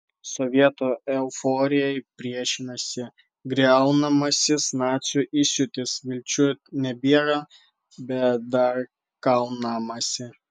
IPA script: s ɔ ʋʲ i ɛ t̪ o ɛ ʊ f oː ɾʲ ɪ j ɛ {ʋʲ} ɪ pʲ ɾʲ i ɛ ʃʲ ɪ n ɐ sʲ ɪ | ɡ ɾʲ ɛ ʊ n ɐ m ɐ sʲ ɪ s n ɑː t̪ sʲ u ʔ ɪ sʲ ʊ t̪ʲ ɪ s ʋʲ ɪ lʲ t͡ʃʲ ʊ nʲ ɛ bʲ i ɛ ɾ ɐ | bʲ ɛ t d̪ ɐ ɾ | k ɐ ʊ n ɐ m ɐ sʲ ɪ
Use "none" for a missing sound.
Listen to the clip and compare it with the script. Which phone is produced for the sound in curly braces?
none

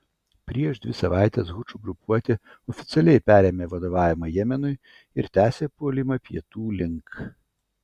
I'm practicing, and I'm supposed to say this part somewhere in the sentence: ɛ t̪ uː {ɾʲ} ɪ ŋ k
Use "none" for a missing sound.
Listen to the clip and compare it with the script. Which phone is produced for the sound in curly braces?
lʲ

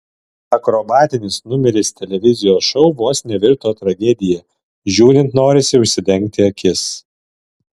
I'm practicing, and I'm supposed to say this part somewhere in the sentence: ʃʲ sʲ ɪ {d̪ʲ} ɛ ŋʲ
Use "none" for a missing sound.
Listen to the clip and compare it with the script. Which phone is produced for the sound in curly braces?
d̪ʲ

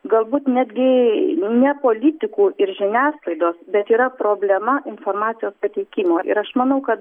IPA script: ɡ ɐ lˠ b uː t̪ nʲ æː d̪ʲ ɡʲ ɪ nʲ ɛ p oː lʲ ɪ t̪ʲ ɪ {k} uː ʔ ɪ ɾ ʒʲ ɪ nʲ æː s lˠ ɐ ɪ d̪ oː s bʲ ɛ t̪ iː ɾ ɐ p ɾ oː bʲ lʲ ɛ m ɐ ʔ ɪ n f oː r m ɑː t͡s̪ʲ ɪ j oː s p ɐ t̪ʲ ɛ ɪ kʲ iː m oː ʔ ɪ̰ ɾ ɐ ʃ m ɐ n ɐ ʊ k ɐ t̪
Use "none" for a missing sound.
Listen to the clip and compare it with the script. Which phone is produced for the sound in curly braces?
k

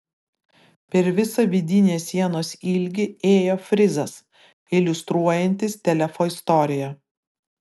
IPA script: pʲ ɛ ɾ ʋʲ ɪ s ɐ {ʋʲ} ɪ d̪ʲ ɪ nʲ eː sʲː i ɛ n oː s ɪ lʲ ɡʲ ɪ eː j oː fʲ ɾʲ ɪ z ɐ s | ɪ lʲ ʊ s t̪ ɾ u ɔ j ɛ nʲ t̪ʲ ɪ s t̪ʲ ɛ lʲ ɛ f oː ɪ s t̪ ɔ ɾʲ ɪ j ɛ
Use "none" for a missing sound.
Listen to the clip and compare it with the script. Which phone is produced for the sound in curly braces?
ʋʲ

